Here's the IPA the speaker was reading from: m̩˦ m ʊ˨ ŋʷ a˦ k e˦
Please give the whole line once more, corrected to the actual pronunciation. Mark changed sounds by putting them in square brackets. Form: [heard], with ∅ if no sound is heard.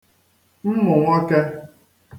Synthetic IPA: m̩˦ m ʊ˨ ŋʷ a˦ k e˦